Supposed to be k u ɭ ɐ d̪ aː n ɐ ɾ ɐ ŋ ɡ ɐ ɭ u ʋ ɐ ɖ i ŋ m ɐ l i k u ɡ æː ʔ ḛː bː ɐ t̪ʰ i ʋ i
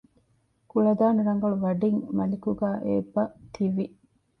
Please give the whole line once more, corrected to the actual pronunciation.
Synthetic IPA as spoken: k u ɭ ɐ d̪ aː n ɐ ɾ ɐ ŋ ɡ ɐ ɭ u ʋ ɐ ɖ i ŋ m ɐ l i k u ɡ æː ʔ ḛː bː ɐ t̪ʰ i ʋ i